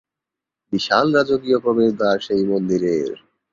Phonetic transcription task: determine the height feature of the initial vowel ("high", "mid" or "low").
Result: high